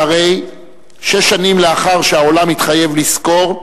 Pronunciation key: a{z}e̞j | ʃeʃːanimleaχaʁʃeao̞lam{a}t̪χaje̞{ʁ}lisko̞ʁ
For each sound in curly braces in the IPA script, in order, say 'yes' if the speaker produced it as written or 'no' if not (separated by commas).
no, no, no